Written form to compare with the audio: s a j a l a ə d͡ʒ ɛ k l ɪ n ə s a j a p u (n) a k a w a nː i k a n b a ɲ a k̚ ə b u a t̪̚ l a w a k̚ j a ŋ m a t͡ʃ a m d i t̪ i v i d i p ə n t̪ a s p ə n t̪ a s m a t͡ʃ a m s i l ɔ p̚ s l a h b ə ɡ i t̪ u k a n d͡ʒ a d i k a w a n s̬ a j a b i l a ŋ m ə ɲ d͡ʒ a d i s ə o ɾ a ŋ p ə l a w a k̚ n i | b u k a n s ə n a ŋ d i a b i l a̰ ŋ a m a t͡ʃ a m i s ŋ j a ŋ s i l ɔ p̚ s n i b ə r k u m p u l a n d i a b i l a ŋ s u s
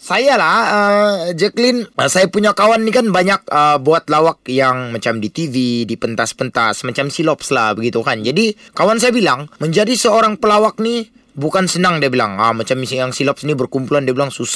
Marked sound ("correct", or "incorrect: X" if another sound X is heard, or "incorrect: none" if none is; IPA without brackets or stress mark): incorrect: ɲ